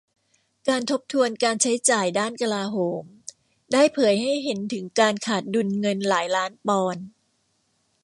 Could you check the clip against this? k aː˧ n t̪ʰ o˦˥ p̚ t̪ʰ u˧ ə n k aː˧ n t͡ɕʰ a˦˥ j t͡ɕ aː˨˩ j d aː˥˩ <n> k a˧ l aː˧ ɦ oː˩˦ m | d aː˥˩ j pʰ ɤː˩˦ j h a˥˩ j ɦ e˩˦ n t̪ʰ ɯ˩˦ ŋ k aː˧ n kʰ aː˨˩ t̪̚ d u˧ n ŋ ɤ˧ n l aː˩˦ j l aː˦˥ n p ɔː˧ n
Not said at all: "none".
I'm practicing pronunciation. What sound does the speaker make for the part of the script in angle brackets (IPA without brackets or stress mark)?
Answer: n